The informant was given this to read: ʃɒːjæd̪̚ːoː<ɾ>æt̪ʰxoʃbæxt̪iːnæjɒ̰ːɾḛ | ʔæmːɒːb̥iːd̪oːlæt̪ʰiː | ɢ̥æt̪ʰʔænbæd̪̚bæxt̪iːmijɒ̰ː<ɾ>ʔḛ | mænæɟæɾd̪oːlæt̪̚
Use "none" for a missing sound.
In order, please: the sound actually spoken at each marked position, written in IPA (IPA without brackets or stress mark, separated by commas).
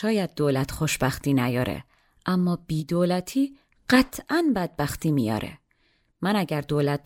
l, ɾ